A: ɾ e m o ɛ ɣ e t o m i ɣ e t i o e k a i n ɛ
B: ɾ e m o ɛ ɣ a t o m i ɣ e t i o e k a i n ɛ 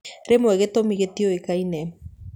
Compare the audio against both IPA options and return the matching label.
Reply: A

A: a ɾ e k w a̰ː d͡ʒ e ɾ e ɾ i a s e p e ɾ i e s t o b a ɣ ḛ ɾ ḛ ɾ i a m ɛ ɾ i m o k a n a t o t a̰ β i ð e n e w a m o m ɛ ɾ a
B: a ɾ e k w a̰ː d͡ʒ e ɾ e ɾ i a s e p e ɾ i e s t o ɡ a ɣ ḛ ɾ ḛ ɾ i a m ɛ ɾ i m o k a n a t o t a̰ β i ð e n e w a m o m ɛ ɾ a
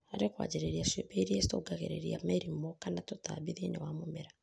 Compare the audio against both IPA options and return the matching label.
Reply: B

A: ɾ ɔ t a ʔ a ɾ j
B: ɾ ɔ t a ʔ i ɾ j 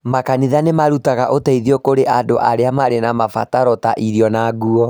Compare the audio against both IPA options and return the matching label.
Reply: B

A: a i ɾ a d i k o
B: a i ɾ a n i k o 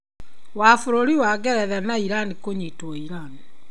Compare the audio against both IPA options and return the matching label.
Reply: B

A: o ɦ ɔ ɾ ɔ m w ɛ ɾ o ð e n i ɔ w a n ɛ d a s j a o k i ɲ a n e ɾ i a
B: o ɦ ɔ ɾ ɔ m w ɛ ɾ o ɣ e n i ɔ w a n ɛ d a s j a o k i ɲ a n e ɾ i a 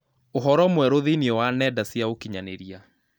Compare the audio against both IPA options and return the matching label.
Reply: A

